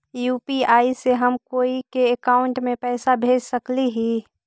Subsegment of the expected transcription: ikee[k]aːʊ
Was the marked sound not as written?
no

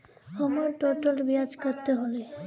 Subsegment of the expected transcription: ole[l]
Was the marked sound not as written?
yes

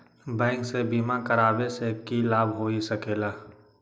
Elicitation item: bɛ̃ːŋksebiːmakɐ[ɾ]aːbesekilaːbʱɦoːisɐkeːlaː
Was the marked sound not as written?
no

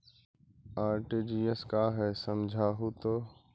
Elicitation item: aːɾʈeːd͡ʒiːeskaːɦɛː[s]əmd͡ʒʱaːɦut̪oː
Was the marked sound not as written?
no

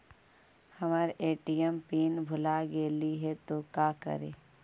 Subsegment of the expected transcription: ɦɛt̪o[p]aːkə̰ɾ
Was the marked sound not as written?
yes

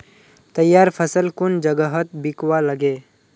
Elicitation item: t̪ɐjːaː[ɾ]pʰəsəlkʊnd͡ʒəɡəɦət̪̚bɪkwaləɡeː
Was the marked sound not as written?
no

